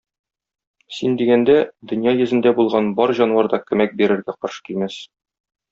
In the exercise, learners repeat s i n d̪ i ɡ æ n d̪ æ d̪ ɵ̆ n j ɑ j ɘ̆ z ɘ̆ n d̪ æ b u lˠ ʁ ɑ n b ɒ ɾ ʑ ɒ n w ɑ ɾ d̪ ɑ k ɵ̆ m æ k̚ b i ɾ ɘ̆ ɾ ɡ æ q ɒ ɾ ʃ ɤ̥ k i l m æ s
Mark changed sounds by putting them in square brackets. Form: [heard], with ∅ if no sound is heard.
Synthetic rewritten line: s i n d̪ i ɡ æ n d̪ æ d̪ ɵ̆ n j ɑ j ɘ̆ z ɘ̆ n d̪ æ b u lˠ ʁ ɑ n b ɒ ɾ ʑ ɒ n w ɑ ɾ d̪ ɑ k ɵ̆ m æ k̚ b i ɾ ɘ̆ ɾ ɡ æ q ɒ ɾ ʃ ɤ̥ k i l m æ s